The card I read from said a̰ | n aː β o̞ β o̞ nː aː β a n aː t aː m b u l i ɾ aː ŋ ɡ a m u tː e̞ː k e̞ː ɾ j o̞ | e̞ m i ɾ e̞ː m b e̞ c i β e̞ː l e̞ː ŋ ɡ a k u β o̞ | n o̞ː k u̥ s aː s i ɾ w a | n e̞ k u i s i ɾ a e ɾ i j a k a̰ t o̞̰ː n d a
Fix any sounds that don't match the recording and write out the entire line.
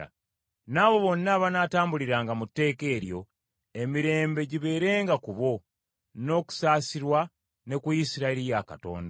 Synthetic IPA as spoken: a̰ | n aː β o̞ β o̞ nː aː β a n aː t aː m b u l i ɾ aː ŋ ɡ a m u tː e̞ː k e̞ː ɾ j o̞ | e̞ m i ɾ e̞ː m b e̞ ɟ i β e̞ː ɾ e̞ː ŋ ɡ a k u β o̞ | n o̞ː k u̥ s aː s i ɾ w a | n e̞ k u i s i ɾ a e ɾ i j a k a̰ t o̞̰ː n d a